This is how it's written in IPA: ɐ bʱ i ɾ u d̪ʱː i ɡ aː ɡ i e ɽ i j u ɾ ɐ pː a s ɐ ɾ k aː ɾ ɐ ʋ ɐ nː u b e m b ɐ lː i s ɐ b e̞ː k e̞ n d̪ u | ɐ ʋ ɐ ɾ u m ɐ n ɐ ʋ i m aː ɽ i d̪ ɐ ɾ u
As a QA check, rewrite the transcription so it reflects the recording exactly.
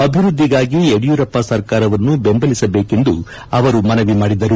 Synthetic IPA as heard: ɐ bʱ i ɾ u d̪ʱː i ɡ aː ɡ i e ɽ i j u ɾ ɐ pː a s ɐ ɾ k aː ɾ ɐ ʋ ɐ nː u b e m b ɐ l i s ɐ b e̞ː k e̞ n d̪ u | ɐ ʋ ɐ ɾ u m ɐ n ɐ ʋ i m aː ɽ i d̪ ɐ ɾ u